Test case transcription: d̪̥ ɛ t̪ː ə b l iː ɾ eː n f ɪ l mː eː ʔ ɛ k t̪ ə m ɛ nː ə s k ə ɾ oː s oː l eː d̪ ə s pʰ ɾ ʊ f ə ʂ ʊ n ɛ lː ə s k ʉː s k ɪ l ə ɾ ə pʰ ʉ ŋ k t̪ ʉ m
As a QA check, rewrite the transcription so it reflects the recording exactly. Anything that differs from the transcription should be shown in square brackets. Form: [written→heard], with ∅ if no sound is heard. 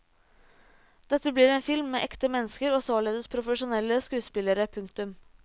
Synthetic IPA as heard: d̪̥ ɛ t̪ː ə b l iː ɾ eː n f ɪ l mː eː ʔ ɛ k t̪ ə m ɛ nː ə s k ə ɾ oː s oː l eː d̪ ə s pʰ ɾ ʊ f ə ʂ ʊ n ɛ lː ə s k ʉː s [k→p] ɪ l ə ɾ ə pʰ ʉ ŋ k t̪ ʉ m